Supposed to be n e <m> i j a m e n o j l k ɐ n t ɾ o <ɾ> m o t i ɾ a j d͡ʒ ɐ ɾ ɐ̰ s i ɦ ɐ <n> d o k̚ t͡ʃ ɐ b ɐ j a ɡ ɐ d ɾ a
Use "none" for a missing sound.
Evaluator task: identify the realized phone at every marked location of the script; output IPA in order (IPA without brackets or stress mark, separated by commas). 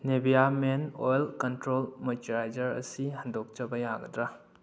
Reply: b, l, n